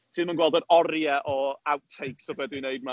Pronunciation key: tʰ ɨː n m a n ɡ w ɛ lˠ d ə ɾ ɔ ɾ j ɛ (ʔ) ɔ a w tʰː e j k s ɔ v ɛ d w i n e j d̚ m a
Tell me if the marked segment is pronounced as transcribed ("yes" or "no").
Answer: yes